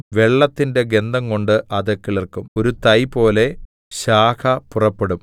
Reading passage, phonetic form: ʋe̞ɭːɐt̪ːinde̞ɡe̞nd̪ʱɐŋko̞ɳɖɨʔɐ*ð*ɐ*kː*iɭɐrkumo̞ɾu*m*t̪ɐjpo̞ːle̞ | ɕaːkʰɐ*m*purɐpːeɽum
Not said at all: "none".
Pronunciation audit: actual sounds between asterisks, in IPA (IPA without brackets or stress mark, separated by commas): ð, kː, none, none